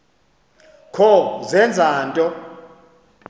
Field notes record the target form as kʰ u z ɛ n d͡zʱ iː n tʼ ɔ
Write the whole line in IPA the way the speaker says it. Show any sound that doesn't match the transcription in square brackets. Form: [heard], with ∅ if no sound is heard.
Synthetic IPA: kʰ [ɔ] z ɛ n d͡zʱ [aː] n tʼ ɔ